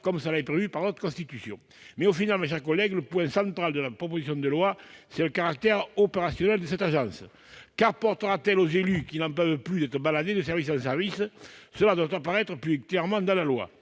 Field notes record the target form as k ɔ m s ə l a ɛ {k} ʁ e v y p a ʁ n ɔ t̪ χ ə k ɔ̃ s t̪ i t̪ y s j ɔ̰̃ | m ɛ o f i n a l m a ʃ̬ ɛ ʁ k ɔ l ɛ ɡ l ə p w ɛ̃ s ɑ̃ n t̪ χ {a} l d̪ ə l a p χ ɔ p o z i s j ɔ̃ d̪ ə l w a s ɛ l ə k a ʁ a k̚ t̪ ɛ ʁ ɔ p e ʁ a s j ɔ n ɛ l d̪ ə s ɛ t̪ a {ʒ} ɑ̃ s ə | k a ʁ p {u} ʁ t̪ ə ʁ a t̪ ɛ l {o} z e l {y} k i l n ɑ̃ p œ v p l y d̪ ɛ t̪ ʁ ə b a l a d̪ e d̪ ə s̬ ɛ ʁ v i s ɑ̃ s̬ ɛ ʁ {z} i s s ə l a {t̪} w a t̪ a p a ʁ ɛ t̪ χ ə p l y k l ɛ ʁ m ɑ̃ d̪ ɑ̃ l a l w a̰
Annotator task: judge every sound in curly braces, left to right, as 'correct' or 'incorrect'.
incorrect: p, correct, correct, incorrect: ɔ, correct, correct, incorrect: v, incorrect: d̪

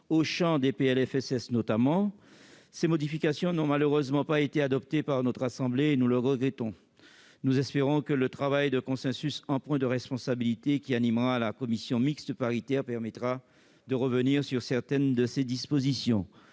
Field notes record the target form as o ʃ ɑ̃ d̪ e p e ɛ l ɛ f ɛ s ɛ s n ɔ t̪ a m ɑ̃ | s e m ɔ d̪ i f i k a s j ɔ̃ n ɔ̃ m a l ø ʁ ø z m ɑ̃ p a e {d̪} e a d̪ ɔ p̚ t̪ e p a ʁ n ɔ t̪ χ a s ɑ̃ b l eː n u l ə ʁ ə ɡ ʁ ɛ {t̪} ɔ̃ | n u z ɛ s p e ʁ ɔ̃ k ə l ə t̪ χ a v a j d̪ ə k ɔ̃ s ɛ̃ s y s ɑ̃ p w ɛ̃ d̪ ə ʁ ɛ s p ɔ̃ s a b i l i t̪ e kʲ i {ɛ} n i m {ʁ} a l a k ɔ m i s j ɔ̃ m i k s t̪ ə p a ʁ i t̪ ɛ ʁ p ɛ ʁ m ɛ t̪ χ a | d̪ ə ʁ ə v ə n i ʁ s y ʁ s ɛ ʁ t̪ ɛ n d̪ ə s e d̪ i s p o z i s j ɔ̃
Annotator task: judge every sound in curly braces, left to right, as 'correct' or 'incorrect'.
incorrect: t̪, correct, incorrect: a, correct

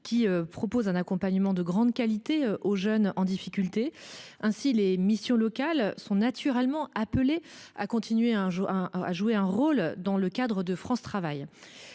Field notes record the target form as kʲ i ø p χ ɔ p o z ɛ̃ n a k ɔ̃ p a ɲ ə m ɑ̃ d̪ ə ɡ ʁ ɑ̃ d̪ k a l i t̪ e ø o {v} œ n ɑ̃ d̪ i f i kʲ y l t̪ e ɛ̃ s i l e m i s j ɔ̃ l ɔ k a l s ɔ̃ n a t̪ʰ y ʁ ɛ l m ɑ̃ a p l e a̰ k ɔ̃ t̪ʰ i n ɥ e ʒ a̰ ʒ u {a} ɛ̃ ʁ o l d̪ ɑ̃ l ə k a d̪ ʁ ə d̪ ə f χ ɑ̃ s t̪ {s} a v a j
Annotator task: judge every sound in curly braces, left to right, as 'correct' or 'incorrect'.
incorrect: ʒ, incorrect: e, incorrect: χ

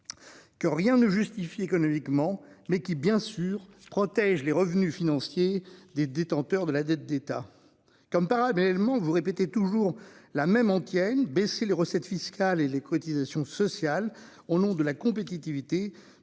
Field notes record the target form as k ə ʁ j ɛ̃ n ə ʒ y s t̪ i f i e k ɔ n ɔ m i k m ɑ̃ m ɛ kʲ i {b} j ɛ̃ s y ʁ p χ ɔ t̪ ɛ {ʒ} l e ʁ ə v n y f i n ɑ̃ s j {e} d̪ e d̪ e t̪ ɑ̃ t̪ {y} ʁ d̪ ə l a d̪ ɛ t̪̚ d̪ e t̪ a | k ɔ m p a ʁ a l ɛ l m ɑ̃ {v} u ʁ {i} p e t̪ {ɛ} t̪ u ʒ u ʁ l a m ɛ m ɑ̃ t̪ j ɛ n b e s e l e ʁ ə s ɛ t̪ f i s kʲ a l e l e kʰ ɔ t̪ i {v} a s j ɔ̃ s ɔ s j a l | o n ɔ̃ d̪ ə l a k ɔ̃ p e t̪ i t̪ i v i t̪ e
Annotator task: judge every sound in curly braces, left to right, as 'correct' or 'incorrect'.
correct, correct, correct, incorrect: œ, correct, incorrect: e, incorrect: e, incorrect: z

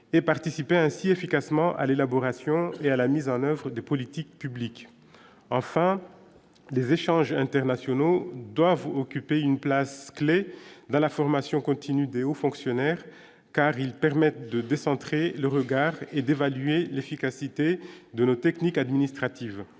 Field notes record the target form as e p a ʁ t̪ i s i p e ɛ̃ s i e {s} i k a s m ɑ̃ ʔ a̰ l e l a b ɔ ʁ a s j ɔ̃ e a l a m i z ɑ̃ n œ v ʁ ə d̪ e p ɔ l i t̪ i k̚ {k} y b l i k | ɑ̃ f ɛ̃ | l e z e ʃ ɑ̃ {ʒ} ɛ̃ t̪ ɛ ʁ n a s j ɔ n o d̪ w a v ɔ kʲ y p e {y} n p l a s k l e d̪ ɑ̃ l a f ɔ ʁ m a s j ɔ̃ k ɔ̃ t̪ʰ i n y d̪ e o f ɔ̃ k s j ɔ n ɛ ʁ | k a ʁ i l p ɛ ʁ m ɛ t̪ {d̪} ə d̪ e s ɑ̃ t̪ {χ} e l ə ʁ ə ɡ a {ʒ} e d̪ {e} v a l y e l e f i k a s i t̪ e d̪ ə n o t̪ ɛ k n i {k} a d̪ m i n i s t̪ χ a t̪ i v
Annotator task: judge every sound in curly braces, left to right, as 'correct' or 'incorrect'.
incorrect: f, incorrect: p, correct, correct, correct, correct, incorrect: ʁ, correct, correct

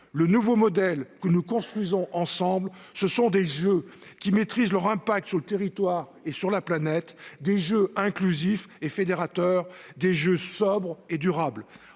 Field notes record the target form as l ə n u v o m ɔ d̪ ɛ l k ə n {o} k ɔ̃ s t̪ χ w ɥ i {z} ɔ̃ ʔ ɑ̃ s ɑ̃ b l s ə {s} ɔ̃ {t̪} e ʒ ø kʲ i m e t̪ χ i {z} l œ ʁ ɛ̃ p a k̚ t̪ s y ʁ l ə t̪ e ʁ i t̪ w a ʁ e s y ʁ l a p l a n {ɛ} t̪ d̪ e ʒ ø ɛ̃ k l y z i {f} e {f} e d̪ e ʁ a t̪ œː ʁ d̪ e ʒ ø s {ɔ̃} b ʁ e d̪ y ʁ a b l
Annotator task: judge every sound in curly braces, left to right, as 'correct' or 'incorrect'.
incorrect: u, correct, correct, incorrect: d̪, correct, correct, correct, correct, incorrect: ɔ

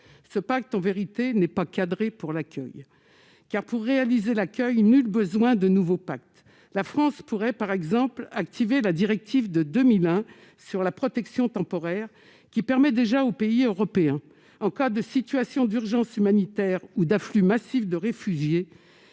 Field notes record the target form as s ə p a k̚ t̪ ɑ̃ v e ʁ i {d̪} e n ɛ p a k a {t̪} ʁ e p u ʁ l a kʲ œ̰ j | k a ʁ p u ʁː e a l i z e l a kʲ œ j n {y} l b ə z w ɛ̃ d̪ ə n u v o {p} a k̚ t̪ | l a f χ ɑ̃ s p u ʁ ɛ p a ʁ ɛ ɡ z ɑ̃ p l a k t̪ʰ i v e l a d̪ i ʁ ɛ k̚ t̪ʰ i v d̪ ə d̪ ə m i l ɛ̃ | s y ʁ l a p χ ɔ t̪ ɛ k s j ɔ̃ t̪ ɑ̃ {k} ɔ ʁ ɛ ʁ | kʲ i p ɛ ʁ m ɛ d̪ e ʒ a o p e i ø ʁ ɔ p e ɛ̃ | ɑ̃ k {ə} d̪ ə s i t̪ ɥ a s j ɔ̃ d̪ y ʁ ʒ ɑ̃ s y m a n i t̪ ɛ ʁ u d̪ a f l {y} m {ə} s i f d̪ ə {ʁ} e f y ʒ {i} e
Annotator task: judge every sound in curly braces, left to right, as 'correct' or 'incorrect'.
incorrect: t̪, incorrect: d̪, correct, correct, incorrect: p, incorrect: a, correct, incorrect: a, correct, incorrect: j

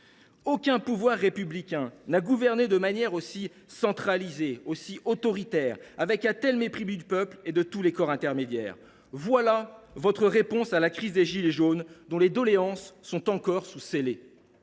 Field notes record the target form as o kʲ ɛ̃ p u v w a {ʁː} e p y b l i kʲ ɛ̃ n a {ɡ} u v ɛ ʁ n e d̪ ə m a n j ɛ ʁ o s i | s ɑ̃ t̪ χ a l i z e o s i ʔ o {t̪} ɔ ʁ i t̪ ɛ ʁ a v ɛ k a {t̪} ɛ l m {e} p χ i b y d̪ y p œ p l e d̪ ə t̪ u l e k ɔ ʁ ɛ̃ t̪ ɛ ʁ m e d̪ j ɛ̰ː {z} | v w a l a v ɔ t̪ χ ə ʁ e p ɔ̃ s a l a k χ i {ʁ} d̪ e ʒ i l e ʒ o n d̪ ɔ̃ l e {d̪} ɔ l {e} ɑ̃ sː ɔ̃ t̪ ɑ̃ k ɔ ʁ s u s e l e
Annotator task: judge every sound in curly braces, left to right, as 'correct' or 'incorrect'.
correct, correct, correct, correct, correct, incorrect: ʁ, incorrect: z, correct, correct

